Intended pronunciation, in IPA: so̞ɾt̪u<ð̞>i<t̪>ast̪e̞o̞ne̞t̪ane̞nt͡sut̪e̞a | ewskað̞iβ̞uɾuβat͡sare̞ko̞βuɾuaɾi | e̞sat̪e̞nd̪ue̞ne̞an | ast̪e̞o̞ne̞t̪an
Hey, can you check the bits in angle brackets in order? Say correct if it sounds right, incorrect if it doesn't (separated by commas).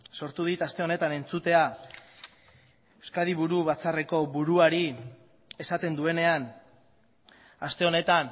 correct, correct